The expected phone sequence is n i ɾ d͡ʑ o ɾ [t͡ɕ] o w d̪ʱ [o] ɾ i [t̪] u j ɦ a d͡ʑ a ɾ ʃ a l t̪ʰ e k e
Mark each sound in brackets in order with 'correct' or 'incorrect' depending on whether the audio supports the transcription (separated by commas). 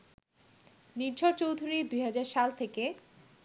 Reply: correct, incorrect, incorrect